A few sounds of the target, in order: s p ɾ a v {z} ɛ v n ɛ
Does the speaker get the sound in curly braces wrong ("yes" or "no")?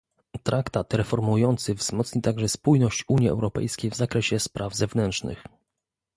no